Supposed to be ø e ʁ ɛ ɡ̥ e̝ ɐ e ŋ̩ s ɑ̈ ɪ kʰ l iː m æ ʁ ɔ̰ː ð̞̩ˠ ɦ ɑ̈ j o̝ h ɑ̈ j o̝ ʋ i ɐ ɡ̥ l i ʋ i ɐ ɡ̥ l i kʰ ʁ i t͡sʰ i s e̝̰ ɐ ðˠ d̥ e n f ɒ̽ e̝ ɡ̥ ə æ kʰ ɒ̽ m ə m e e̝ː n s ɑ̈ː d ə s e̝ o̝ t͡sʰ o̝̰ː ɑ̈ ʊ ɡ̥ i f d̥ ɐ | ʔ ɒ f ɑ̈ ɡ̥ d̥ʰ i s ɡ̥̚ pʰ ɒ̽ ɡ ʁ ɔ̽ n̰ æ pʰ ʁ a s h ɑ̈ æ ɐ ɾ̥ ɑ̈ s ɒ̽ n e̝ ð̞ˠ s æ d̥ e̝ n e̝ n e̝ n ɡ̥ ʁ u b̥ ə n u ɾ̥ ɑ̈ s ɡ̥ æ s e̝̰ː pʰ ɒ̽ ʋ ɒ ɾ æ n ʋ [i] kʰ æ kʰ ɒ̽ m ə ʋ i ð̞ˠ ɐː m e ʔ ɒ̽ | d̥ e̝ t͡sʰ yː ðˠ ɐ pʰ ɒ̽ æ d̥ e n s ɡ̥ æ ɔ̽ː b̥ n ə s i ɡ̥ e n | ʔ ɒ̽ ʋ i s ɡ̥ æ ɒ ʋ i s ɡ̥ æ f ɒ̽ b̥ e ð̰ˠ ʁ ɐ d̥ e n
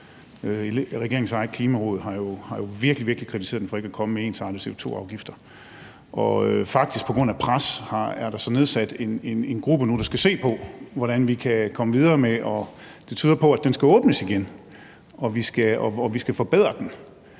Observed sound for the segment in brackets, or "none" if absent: i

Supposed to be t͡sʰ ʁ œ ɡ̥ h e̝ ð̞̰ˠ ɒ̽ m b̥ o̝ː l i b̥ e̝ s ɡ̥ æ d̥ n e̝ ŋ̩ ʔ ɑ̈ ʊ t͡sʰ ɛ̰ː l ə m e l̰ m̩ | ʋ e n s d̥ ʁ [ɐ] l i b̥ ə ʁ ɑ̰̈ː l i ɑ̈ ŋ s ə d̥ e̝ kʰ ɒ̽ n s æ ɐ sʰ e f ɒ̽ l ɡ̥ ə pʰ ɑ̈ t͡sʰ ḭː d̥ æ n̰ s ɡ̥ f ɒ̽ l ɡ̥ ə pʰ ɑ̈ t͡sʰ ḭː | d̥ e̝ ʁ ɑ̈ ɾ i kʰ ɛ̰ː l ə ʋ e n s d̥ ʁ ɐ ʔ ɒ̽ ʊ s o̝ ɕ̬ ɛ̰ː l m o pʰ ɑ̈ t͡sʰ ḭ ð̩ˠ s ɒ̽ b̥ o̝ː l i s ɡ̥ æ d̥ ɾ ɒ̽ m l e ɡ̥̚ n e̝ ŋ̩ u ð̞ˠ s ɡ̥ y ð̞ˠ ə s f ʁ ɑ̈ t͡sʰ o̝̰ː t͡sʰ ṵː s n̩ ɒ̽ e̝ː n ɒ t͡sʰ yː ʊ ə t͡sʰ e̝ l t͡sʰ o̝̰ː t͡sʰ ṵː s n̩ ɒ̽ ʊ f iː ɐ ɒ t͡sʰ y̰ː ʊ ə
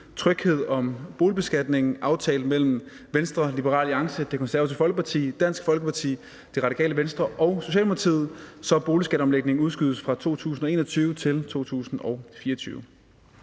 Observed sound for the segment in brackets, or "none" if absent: ɐ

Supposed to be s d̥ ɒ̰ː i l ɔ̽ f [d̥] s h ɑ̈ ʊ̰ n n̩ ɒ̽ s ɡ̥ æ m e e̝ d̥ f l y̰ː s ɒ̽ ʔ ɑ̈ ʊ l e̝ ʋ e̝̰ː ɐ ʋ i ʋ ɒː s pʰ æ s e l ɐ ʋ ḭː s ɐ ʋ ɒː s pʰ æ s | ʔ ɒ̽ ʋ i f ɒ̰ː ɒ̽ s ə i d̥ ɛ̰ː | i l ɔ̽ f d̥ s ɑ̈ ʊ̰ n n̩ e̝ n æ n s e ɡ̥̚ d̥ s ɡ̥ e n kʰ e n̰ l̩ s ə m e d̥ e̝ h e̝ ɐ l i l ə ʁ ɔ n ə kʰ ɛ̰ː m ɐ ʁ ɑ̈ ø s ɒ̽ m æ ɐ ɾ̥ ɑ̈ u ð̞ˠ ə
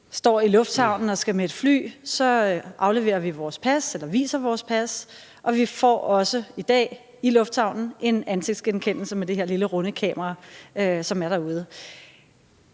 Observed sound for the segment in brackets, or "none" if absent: d̥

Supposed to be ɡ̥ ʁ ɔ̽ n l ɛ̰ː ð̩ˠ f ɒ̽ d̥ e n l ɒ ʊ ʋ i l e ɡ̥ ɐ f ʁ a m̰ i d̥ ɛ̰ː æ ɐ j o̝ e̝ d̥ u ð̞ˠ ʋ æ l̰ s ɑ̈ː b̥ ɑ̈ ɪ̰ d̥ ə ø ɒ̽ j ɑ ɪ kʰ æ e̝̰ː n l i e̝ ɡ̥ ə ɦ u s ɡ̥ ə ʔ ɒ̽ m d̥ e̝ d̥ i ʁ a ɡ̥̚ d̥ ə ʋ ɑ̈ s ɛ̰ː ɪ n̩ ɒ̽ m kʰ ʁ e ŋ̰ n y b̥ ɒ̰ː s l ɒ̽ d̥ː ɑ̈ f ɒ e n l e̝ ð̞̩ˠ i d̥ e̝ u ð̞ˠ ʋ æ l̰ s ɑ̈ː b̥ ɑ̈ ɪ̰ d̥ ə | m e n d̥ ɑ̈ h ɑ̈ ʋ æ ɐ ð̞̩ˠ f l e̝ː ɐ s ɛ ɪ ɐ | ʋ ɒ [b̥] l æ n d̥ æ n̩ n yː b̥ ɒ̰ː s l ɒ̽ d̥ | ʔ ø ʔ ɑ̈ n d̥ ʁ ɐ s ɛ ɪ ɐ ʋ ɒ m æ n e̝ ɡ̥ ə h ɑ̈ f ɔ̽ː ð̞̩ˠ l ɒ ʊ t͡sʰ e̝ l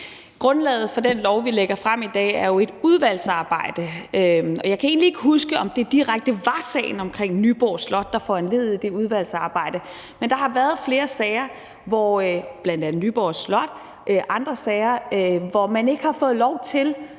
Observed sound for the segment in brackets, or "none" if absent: b̥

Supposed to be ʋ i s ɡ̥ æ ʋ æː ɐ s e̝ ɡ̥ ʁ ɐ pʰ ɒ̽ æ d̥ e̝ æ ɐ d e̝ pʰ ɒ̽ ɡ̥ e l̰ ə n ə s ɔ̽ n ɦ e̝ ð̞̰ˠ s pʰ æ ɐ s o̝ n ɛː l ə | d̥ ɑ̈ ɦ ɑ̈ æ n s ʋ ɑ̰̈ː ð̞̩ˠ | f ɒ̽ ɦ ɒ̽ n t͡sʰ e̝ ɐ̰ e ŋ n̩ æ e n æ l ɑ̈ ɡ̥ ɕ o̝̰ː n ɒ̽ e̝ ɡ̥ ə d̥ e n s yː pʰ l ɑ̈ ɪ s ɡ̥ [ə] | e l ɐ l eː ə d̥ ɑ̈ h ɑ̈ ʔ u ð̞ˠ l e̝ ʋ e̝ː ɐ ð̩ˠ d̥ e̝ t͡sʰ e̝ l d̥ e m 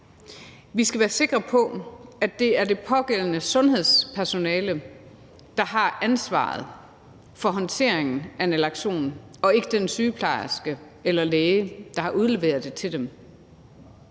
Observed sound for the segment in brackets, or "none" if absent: ə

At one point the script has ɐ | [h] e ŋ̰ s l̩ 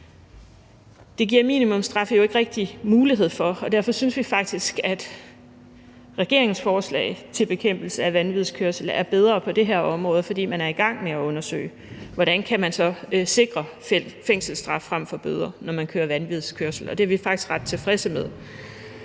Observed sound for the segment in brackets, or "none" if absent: f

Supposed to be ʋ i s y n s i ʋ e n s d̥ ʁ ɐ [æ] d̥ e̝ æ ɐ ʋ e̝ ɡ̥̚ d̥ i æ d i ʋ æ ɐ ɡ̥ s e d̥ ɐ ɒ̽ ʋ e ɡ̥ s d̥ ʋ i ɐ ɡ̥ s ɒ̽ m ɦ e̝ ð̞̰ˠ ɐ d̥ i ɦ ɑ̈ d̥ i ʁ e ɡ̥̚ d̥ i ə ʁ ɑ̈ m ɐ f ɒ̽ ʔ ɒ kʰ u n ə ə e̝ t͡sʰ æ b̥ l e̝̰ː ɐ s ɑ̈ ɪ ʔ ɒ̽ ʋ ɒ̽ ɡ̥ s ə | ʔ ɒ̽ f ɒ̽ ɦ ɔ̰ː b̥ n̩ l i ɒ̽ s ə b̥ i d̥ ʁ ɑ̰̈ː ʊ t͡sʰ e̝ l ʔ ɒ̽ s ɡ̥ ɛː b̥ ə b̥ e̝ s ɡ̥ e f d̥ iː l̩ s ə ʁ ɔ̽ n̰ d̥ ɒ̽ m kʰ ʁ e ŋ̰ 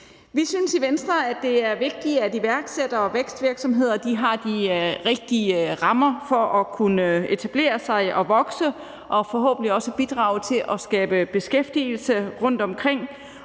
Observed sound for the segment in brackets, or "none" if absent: æ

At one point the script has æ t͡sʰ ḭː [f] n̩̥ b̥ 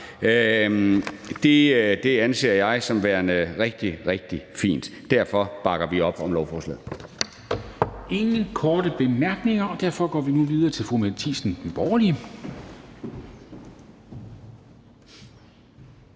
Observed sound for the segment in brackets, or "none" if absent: s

